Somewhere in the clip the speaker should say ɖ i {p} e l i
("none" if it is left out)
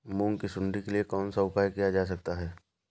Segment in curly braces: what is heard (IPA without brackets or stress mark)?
k